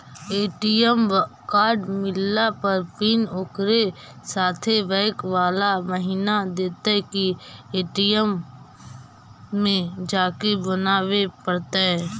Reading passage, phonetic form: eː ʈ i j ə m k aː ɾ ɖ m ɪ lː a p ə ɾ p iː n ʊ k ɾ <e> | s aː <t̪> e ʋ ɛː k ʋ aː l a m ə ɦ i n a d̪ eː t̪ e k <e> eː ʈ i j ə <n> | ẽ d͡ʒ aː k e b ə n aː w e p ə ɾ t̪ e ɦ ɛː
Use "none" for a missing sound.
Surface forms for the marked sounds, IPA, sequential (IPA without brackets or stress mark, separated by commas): e, t̪ʰ, i, m